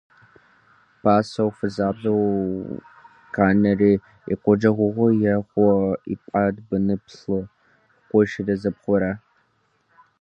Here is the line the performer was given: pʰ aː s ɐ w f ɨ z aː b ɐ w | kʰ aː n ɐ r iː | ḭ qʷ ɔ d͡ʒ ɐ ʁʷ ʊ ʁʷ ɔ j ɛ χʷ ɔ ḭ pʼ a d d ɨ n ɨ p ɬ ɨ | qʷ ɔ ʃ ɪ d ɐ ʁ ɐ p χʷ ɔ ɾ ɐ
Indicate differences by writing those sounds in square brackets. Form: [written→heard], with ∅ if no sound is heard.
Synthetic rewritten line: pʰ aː s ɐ w f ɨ z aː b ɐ w | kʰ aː n ɐ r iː | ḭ qʷ ɔ d͡ʒ ɐ ʁʷ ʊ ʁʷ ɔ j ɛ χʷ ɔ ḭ pʼ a d [d→b] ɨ n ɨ p ɬ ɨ | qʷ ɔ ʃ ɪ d ɐ [ʁ→z] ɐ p χʷ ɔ ɾ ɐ